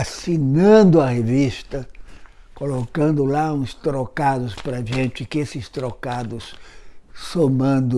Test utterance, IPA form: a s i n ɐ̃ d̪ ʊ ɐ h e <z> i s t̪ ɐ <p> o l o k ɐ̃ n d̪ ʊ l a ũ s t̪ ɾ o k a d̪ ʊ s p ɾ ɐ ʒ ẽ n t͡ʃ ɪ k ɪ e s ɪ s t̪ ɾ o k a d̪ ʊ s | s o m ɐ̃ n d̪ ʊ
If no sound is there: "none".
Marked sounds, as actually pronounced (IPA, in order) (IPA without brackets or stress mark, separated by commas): v, k